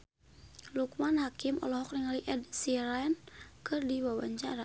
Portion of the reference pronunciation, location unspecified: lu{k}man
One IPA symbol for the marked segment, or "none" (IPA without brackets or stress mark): k